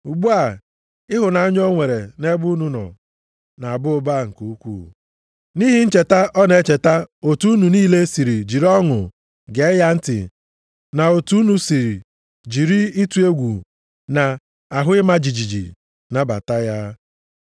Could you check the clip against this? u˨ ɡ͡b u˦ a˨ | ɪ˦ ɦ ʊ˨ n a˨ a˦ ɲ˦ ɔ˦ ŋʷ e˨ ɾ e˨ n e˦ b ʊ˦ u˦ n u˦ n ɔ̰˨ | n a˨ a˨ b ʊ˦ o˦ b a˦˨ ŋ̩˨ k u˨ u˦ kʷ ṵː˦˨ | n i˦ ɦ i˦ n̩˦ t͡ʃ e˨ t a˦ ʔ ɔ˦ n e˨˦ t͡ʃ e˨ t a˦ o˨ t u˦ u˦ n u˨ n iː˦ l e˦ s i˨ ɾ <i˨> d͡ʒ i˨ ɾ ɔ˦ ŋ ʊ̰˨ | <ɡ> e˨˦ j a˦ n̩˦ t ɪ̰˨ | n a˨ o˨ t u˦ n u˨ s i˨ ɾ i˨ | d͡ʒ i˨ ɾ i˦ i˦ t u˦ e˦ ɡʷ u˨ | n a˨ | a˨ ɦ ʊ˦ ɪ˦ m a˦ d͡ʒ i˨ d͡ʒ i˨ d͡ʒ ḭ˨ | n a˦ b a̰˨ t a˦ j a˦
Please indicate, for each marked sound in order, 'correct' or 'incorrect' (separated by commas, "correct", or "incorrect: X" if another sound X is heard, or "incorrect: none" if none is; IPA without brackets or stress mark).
correct, correct